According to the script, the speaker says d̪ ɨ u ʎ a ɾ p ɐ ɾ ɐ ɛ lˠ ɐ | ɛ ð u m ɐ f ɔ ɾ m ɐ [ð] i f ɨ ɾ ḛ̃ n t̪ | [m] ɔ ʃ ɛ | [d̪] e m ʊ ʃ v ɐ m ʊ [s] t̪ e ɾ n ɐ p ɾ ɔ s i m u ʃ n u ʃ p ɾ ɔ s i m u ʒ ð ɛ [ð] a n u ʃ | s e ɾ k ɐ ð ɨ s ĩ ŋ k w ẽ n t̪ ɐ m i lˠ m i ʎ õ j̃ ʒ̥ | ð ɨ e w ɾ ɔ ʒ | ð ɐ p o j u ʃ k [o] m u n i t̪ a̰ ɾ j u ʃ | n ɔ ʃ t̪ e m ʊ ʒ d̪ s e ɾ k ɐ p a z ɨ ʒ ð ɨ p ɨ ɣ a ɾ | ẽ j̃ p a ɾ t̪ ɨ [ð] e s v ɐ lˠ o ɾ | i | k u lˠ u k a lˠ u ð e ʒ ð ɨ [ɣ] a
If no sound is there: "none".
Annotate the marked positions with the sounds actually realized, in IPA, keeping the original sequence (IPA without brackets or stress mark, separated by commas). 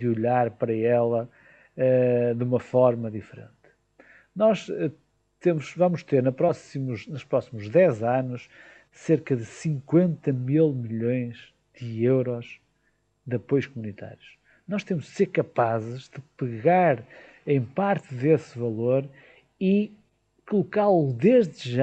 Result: ð, n, t̪, ʃ, z, u, ð, ʒ